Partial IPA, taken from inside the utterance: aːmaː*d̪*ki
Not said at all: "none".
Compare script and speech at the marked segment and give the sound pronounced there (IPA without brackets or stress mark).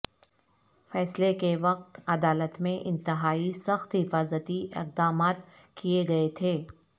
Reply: t̪